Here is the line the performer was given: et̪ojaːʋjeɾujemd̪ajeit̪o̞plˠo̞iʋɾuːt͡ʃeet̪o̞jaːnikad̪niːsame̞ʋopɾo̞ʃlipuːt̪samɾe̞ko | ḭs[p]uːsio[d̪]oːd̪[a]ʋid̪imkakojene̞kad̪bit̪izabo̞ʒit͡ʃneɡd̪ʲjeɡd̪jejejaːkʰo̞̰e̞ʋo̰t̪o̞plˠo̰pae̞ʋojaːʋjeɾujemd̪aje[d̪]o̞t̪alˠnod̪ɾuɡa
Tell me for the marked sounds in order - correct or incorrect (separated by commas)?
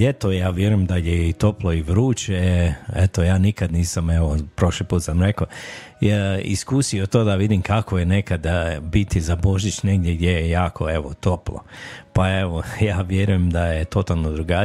incorrect, incorrect, correct, incorrect